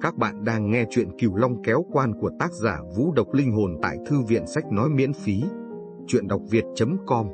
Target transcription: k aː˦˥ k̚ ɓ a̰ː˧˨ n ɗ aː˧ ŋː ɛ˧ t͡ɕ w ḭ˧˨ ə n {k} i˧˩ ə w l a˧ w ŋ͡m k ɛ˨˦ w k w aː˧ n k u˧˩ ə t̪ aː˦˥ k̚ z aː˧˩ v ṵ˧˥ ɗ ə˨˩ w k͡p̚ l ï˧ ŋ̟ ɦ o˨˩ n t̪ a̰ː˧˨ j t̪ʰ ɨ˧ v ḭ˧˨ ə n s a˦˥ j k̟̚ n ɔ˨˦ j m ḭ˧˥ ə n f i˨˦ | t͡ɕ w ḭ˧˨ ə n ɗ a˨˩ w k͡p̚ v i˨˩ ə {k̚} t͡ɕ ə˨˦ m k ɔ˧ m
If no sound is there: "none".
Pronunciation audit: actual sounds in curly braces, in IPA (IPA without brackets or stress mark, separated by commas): k, t̚